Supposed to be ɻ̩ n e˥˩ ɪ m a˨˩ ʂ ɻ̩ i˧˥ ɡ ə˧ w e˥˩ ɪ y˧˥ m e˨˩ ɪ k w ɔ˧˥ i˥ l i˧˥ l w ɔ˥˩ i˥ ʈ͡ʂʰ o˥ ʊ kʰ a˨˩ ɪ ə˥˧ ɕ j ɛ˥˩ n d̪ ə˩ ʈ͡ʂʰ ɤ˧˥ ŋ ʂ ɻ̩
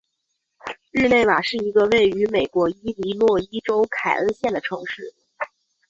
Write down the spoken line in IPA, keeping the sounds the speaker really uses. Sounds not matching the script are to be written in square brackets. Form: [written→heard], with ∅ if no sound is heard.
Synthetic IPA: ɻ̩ n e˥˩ ɪ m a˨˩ ʂ ɻ̩ i˧˥ ɡ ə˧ w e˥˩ ɪ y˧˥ m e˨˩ ɪ k w ɔ˧˥ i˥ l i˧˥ l w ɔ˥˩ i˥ [ʈ͡ʂʰ→ʈ͡ʂ] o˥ ʊ kʰ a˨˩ ɪ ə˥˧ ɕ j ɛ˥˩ n d̪ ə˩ ʈ͡ʂʰ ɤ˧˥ ŋ ʂ ɻ̩

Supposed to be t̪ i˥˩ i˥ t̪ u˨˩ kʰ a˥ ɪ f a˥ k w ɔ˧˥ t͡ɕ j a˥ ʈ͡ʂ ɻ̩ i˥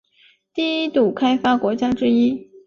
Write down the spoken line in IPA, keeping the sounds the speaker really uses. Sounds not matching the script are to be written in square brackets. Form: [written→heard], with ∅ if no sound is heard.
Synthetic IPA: t̪ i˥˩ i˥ t̪ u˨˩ kʰ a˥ ɪ f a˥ k w ɔ˧˥ t͡ɕ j a˥ ʈ͡ʂ ɻ̩ i˥

